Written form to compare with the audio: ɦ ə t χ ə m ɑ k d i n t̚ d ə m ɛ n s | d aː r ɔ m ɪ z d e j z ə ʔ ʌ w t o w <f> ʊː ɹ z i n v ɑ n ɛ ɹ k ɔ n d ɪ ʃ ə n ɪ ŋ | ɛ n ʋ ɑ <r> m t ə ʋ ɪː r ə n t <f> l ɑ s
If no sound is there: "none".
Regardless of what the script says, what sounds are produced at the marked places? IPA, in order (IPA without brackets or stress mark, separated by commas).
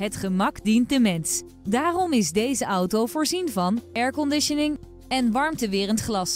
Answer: v, ɹ, χ